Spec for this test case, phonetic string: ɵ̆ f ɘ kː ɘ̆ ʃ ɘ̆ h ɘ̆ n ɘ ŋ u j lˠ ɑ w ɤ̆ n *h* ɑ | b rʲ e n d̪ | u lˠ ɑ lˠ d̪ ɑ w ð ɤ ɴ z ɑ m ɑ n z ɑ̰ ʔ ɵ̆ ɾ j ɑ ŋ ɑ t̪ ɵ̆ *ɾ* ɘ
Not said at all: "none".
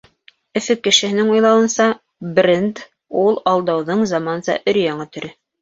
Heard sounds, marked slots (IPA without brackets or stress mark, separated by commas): s, ɾ